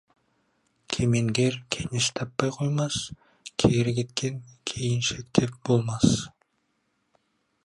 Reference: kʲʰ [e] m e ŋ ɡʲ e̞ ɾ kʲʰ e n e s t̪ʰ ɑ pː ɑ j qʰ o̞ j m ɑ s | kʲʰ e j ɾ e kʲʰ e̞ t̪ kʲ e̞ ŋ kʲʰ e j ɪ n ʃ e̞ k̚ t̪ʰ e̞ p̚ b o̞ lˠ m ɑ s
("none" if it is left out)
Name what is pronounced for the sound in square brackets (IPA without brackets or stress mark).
e